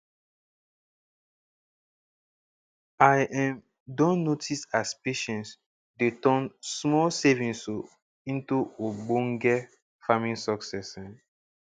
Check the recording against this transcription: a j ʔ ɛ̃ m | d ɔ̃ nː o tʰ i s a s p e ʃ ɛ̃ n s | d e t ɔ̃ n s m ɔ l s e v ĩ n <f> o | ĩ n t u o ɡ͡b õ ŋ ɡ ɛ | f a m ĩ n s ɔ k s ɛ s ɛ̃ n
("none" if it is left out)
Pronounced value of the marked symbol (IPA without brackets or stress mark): s